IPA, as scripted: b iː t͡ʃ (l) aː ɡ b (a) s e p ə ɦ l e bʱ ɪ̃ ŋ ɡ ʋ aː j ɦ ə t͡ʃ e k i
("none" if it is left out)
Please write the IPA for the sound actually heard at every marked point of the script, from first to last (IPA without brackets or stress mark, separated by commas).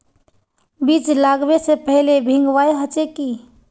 l, e